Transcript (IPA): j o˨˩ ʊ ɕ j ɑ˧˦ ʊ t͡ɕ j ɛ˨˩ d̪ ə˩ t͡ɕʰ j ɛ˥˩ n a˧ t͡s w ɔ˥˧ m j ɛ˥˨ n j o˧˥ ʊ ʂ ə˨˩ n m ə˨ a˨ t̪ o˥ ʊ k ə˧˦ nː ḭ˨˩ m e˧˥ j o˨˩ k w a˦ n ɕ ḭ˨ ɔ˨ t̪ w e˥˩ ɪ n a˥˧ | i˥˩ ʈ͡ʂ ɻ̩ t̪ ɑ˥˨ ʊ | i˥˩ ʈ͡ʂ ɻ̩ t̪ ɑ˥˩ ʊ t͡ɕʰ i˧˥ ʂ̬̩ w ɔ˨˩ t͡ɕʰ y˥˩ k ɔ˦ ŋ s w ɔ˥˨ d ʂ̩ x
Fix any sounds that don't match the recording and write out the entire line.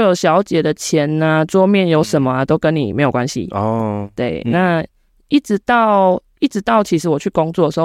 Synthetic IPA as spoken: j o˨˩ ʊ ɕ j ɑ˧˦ ʊ t͡ɕ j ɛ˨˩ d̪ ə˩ t͡ɕʰ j ɛ˨˦ n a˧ t͡s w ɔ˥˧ m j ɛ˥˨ n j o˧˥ ʊ ʂ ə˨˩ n m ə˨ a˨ t̪ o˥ ʊ k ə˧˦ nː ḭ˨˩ m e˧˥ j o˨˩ k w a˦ n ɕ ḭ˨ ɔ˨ t̪ w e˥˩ ɪ n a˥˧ | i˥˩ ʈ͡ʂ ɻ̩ t̪ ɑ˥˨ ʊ | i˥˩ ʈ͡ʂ ɻ̩ t̪ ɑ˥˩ ʊ t͡ɕʰ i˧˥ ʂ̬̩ w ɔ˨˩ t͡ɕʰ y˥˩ k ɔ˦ ŋ t͡s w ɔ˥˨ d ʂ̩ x